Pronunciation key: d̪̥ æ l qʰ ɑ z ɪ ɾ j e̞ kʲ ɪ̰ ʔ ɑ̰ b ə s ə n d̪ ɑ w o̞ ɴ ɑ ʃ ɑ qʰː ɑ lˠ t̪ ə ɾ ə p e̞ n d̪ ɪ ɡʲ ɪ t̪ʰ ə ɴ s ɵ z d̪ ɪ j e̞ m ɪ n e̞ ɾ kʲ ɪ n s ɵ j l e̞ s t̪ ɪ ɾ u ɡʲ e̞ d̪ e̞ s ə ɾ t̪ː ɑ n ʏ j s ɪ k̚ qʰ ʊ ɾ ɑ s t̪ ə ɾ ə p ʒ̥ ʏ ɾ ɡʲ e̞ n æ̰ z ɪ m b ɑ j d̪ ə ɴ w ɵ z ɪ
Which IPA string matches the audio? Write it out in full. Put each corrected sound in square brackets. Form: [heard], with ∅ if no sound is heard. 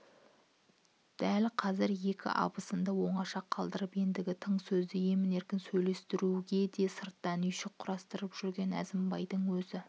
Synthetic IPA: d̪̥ æ l qʰ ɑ z ɪ ɾ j e̞ kʲ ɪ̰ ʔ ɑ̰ b ə s ə n d̪ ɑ w o̞ ɴ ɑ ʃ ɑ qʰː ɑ lˠ [d̪] ə ɾ ə p e̞ n d̪ ɪ ɡʲ ɪ t̪ʰ ə ɴ s ɵ z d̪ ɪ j e̞ m ɪ n e̞ ɾ kʲ ɪ n s ɵ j l e̞ s t̪ ɪ ɾ u ɡʲ e̞ d̪ e̞ s ə ɾ t̪ː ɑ n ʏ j [ʃ] ɪ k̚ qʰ ʊ ɾ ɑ s t̪ ə ɾ ə p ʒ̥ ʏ ɾ ɡʲ e̞ n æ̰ z ɪ m b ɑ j d̪ ə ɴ w ɵ z ɪ